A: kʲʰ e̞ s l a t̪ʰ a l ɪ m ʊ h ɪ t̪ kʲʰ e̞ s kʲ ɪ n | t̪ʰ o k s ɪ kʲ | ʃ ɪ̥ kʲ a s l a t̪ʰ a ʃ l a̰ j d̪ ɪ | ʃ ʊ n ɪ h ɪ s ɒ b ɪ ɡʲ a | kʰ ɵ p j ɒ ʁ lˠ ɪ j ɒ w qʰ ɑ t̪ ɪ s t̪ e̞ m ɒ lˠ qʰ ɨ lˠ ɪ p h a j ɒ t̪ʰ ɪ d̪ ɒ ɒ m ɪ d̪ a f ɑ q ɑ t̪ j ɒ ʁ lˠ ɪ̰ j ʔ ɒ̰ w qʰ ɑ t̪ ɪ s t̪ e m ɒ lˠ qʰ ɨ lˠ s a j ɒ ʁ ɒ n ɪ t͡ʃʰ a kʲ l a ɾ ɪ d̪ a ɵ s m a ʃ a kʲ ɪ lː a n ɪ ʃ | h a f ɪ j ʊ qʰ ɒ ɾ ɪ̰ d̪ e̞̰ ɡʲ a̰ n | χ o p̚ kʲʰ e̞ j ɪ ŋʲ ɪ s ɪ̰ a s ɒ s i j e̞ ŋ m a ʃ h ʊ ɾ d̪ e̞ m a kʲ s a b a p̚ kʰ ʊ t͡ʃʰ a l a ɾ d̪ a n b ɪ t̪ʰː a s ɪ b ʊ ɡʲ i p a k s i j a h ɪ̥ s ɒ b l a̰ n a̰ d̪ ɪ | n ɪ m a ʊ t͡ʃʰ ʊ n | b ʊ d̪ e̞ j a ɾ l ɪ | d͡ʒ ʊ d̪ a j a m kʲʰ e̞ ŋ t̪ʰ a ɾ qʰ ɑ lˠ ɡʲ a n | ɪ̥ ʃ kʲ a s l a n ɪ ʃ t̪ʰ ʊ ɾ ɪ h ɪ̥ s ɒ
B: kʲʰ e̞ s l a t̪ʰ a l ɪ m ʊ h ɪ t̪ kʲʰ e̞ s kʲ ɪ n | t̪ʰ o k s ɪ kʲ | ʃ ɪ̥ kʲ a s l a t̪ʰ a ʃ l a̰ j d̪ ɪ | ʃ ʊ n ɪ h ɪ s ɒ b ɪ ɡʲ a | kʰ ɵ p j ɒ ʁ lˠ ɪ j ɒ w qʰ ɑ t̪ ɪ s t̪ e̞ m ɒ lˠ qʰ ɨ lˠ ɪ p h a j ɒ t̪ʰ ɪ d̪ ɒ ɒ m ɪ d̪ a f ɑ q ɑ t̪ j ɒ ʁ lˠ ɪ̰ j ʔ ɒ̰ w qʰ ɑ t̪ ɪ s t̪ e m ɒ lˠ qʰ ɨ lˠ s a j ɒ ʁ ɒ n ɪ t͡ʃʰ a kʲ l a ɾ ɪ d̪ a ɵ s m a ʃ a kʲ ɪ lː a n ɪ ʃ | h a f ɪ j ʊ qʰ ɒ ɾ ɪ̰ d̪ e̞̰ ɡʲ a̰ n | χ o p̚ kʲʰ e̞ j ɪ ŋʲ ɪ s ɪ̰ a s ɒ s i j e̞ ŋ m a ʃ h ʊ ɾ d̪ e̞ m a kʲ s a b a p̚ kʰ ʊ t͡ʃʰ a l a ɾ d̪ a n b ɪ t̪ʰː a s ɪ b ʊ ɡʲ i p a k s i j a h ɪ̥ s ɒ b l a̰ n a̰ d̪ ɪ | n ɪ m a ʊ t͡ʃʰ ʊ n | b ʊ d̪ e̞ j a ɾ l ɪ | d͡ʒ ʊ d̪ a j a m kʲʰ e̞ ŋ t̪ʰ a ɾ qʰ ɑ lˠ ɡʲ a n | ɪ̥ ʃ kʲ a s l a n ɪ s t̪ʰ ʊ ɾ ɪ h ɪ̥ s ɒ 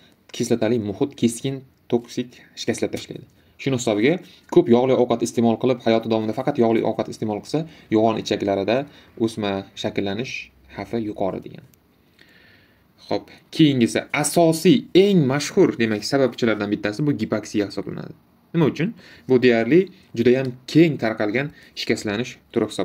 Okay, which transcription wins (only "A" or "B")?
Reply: A